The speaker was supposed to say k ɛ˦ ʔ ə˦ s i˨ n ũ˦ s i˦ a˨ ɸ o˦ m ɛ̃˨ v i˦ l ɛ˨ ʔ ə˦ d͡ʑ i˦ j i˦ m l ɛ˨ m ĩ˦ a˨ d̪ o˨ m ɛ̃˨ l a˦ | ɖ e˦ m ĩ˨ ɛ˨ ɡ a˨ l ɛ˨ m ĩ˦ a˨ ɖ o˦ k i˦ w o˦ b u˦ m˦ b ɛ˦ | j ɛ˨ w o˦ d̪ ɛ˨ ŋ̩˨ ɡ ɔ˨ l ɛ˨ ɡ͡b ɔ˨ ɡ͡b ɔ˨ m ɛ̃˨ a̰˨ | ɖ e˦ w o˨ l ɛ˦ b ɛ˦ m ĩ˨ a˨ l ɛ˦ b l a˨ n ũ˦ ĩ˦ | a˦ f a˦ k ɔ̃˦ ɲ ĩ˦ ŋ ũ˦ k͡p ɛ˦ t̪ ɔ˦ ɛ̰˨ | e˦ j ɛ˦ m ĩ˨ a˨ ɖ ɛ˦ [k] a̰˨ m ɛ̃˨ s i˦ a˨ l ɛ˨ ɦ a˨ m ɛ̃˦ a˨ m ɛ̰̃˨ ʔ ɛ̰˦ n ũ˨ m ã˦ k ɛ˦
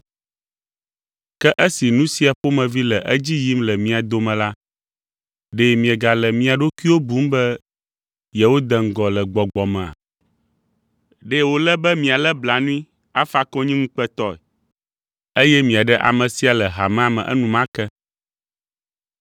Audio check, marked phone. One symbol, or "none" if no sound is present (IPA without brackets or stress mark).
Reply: ʔ